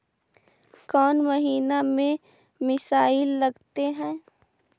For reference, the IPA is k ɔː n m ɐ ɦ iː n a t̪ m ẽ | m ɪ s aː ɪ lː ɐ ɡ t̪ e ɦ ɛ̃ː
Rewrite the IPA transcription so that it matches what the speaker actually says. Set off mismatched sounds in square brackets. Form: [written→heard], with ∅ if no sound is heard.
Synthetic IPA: k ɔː n m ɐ ɦ iː n a [t̪→∅] m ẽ | m ɪ s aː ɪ lː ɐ ɡ t̪ e ɦ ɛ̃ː